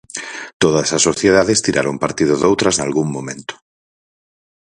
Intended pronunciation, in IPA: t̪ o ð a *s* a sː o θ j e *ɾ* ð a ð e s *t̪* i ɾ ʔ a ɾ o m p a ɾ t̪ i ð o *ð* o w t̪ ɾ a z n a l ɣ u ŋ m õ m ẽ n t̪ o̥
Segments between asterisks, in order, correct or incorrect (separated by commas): correct, incorrect, correct, correct